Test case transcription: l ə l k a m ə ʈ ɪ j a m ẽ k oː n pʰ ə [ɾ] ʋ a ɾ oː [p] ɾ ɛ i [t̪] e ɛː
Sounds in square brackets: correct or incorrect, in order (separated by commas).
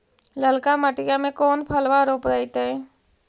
incorrect, correct, correct